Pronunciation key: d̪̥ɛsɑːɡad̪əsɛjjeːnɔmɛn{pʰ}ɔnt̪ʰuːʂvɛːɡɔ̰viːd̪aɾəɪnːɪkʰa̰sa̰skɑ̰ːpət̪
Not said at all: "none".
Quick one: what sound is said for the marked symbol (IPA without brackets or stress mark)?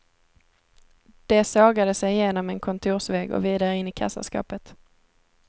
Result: kʰ